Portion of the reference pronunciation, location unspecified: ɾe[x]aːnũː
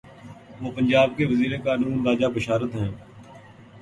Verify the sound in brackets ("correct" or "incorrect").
incorrect